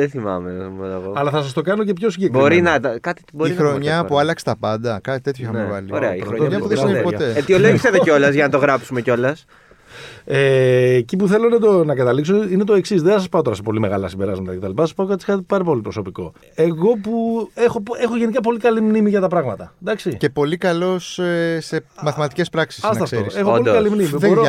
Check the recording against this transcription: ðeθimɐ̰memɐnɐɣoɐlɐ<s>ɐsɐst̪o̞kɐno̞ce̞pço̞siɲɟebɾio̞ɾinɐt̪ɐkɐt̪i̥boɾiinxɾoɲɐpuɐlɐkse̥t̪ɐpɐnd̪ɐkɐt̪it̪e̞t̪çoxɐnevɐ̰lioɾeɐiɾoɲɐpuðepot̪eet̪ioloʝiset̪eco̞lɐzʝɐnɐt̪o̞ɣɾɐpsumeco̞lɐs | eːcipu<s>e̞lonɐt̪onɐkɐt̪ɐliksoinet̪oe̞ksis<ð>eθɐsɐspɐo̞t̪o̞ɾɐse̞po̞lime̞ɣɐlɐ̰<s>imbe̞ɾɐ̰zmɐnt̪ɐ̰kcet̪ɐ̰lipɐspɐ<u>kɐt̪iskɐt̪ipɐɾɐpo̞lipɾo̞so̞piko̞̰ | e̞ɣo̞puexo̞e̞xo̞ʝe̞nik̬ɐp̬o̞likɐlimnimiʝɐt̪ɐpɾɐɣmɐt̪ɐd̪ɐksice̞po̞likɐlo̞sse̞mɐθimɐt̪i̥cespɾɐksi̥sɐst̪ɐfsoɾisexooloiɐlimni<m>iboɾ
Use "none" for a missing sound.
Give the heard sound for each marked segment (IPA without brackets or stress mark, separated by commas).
θ, θ, ð, s, o, m